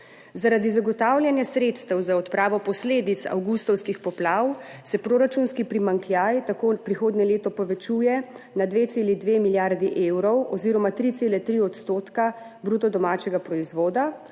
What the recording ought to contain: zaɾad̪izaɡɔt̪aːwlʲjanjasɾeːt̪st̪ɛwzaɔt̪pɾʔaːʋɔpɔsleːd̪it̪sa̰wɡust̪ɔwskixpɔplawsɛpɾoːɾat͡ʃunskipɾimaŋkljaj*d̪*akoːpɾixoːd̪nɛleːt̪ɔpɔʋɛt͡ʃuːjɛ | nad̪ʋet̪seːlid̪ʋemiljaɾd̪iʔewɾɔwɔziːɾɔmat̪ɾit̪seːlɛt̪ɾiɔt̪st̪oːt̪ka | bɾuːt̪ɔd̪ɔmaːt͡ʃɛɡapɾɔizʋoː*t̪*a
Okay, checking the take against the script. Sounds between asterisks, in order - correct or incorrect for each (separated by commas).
incorrect, incorrect